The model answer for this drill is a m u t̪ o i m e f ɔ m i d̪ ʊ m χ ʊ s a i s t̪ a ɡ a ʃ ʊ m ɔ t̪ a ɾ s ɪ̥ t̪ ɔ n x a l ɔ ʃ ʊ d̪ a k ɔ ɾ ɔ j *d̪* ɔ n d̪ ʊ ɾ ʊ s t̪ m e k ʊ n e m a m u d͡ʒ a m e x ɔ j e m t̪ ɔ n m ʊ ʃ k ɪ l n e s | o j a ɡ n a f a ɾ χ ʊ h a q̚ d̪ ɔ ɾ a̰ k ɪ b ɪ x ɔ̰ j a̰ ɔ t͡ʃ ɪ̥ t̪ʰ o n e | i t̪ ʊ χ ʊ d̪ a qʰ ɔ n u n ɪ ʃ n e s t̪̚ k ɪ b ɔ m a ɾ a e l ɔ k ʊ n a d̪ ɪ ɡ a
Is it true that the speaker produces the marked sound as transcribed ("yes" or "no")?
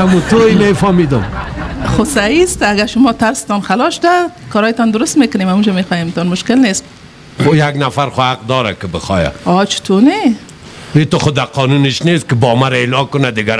no